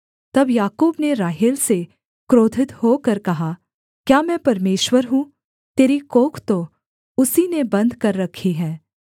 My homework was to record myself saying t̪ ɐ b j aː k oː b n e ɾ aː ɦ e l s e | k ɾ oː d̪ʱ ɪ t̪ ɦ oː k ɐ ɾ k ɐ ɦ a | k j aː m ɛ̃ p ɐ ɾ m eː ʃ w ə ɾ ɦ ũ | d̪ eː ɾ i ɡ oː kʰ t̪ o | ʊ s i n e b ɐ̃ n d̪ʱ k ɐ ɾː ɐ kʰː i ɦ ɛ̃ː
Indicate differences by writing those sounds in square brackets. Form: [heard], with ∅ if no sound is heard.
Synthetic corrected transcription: t̪ ɐ b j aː k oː b n e ɾ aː ɦ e l s e | k ɾ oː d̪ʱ ɪ t̪ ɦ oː k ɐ ɾ k ɐ ɦ a | k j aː m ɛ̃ p ɐ ɾ m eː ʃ w ə ɾ ɦ ũ | [t̪] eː ɾ i [k] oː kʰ t̪ o | ʊ s i n e b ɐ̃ n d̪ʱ k ɐ ɾː ɐ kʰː i ɦ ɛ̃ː